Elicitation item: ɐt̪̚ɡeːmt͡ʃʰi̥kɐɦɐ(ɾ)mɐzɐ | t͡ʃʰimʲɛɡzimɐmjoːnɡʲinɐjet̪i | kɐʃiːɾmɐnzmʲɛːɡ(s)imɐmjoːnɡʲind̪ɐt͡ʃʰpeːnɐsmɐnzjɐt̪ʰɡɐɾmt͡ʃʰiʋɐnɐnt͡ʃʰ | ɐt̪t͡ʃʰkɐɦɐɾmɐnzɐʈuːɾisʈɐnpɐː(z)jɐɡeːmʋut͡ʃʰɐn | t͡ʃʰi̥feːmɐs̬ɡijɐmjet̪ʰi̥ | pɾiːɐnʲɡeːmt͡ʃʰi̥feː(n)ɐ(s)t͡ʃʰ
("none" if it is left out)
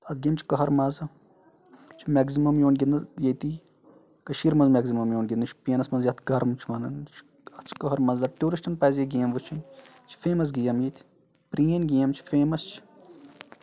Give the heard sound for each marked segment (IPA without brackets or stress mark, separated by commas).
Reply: ɾ, z, z, m, s